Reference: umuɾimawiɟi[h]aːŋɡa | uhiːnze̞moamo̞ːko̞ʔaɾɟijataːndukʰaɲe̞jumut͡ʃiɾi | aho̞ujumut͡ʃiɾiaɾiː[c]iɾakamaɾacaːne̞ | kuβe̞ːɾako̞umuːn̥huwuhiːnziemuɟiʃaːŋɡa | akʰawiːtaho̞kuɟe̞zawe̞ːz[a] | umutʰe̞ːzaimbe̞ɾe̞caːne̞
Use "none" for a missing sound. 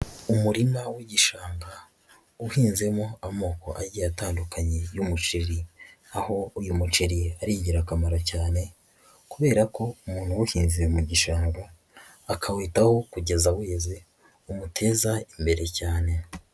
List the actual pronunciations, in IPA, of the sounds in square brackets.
ʃ, ɟ, e

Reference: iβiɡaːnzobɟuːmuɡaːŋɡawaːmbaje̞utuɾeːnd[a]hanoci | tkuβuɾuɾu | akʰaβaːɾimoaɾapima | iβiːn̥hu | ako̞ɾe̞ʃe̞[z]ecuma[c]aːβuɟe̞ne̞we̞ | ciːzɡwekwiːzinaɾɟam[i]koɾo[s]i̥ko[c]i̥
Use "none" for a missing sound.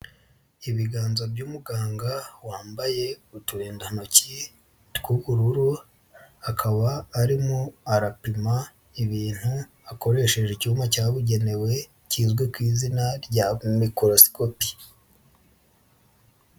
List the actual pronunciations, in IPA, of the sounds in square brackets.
a, ʒ, c, i, s, p

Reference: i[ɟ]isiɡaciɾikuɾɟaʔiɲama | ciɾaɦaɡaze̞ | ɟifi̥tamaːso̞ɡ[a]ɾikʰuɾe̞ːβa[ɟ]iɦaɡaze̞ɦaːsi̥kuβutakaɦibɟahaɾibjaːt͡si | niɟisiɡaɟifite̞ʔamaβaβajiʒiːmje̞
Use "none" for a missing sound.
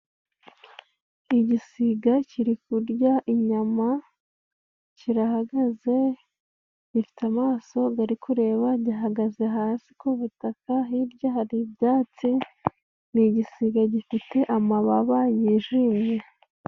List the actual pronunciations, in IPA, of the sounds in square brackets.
ɟ, a, ɟ

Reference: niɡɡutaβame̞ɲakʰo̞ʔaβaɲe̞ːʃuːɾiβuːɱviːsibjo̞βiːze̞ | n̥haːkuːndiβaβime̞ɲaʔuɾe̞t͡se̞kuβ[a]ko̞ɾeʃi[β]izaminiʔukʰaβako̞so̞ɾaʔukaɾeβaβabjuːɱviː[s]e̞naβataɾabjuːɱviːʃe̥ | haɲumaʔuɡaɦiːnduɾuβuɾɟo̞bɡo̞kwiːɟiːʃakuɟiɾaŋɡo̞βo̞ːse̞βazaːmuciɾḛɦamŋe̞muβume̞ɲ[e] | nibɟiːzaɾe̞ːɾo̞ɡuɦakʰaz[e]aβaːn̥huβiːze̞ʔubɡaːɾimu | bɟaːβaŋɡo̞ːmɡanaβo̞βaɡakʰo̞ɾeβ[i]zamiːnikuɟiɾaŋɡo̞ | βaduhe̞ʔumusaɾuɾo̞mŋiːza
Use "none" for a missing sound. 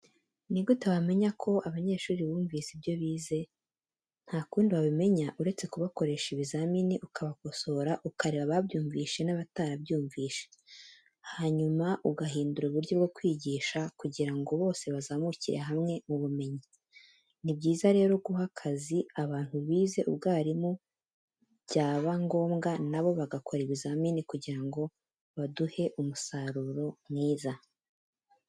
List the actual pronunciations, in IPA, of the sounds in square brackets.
a, β, ʃ, i, i, i

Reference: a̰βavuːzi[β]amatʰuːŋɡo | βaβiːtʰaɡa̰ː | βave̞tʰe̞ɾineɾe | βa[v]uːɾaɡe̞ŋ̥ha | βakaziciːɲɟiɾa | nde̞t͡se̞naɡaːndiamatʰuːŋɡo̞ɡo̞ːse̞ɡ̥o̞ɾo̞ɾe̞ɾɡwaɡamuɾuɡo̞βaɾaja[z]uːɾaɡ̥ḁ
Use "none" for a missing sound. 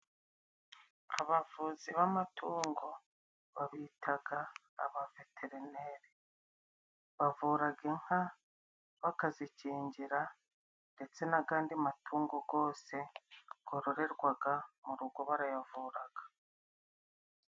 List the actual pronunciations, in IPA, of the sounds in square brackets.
β, v, v

